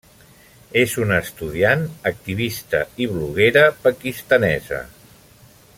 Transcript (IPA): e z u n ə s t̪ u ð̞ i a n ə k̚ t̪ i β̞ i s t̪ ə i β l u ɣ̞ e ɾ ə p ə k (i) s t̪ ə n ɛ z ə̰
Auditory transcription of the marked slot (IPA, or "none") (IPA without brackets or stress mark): i